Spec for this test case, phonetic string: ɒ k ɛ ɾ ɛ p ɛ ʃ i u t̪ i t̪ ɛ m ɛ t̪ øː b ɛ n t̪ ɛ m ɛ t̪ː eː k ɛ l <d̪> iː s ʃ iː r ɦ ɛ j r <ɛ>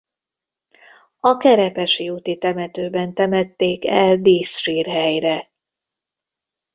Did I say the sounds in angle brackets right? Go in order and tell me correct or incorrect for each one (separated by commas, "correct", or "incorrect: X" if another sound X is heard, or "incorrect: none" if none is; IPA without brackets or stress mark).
correct, correct